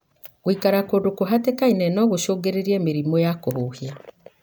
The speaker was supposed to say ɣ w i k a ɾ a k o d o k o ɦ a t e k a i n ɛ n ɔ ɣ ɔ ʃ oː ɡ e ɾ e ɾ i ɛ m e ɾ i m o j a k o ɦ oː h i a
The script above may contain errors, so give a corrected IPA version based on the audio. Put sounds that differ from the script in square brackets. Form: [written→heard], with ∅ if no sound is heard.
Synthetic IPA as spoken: ɣ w i k a ɾ a k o d o k o ɦ a t e k a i n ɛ n ɔ ɣ [ɔ→o] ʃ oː ɡ e ɾ e ɾ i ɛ m e ɾ i m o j a k o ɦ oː h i a